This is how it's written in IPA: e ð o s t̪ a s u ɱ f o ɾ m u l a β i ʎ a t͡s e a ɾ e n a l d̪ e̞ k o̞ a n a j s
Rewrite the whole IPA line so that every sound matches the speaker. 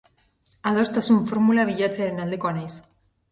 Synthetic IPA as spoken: a ð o s t̪ a s u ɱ f o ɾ m u l a β i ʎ a t͡s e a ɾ e n a l d̪ e̞ k o̞ a n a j s